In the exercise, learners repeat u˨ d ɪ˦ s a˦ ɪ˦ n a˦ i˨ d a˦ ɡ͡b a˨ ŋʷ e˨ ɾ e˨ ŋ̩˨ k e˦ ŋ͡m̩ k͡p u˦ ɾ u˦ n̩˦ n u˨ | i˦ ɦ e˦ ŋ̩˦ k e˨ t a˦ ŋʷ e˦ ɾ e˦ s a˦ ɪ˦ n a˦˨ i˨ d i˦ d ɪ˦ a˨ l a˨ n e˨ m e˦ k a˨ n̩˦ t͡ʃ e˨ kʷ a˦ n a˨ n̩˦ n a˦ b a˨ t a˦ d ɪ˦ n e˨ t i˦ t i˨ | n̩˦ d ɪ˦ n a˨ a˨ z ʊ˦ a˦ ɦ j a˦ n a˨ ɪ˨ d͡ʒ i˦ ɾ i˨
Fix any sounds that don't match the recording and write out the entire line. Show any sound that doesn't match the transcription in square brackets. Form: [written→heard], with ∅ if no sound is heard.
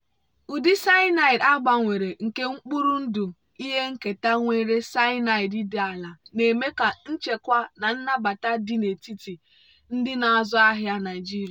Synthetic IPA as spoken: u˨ d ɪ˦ s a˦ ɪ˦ n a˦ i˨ d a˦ ɡ͡b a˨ ŋʷ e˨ ɾ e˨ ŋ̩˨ k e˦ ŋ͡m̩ k͡p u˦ ɾ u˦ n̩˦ [n→d] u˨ | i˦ ɦ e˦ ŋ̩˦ k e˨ t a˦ ŋʷ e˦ ɾ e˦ s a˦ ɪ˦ n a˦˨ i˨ d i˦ d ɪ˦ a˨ l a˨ n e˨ m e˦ k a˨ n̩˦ t͡ʃ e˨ kʷ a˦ n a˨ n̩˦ n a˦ b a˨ t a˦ d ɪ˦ n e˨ t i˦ t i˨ | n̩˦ d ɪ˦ n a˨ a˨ z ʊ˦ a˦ ɦ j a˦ n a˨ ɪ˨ d͡ʒ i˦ ɾ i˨

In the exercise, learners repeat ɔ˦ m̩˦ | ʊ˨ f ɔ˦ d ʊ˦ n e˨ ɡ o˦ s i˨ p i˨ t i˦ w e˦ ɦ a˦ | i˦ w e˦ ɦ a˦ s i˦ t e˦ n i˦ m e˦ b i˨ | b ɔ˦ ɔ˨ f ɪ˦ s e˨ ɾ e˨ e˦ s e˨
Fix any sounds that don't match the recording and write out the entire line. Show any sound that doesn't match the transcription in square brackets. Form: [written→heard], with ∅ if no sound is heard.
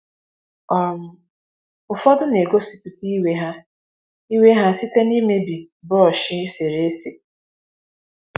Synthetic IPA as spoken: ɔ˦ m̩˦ | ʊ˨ f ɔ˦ d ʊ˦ n e˨ ɡ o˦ s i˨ p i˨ t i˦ w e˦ ɦ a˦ | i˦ w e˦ ɦ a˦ s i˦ t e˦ n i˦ m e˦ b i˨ | b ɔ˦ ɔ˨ [f→ʃ] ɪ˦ s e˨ ɾ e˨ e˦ s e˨

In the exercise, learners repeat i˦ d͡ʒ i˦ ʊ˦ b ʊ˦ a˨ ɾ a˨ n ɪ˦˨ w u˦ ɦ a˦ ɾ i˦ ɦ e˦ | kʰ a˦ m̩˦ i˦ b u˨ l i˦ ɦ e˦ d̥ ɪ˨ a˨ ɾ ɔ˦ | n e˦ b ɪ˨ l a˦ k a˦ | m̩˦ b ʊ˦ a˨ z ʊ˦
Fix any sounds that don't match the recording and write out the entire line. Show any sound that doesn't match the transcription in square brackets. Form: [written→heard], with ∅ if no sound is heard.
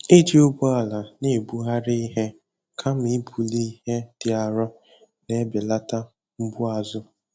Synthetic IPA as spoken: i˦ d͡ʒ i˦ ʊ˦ b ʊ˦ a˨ [ɾ→l] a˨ n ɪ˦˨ [w→b] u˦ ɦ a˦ ɾ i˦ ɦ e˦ | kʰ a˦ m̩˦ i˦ b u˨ l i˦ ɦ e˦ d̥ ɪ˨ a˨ ɾ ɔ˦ | n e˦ b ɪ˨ l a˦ [k→t] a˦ | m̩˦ b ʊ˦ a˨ z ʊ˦

